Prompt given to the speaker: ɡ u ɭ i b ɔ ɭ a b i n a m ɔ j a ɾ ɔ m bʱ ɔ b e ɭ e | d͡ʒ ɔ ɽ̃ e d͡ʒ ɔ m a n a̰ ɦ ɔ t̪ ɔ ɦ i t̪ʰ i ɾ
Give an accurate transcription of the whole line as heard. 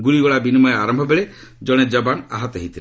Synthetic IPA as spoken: ɡ u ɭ i ɡ ɔ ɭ a b i n i m ɔ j a ɾ ɔ m bʱ ɔ b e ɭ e | d͡ʒ ɔ ɽ̃ e d͡ʒ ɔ b a n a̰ ɦ ɔ t̪ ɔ ɦ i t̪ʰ i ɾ